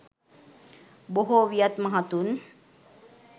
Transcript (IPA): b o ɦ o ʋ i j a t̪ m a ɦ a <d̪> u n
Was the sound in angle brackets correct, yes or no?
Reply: no